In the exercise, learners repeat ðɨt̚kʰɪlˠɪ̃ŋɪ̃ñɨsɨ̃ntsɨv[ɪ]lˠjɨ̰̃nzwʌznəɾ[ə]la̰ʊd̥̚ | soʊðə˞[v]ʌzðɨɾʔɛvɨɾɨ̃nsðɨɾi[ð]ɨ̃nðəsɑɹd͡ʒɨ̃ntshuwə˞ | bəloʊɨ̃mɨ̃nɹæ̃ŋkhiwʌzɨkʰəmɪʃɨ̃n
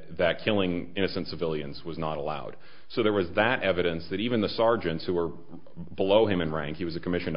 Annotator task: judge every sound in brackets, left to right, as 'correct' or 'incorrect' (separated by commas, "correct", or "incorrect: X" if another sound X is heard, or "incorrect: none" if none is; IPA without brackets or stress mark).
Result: correct, correct, incorrect: w, incorrect: v